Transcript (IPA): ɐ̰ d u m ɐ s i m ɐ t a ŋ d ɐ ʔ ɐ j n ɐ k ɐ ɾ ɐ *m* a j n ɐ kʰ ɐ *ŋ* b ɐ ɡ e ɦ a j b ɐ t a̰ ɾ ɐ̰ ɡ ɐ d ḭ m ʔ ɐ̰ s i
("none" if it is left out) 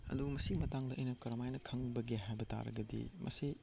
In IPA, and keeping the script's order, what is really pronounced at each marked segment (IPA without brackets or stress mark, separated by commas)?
m, ŋ